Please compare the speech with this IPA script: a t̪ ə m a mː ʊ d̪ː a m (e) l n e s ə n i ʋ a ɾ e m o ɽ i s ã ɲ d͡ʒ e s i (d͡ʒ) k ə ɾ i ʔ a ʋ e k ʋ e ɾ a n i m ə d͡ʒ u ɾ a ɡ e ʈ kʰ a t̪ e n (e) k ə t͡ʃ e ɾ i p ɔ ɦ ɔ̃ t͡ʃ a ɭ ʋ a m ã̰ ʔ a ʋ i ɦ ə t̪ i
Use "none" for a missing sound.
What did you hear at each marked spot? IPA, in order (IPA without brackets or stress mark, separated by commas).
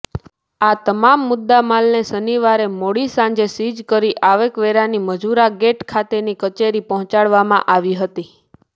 a, d͡ʒ, i